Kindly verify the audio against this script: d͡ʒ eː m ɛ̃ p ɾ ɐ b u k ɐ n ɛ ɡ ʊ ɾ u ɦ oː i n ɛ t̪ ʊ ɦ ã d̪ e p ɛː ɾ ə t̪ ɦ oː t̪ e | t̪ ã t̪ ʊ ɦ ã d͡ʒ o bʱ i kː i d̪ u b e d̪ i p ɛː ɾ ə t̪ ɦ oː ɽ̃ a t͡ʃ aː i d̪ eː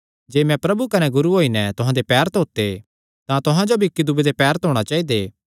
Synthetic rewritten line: d͡ʒ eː m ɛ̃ p ɾ ɐ b u k ɐ n ɛ ɡ ʊ ɾ u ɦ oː i n ɛ t̪ ʊ ɦ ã d̪ e p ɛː ɾ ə t̪ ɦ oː t̪ e | t̪ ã t̪ ʊ ɦ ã d͡ʒ o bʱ i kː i d̪ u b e d̪ e p ɛː ɾ ə t̪ ɦ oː ɽ̃ a t͡ʃ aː i d̪ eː